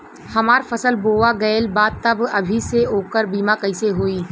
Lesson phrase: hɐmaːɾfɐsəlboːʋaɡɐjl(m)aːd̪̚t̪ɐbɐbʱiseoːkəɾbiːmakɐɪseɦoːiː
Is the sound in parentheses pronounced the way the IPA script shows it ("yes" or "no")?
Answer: no